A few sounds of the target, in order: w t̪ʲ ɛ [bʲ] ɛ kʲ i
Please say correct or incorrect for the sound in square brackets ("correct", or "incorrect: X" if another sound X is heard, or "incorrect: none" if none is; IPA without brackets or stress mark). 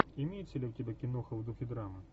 correct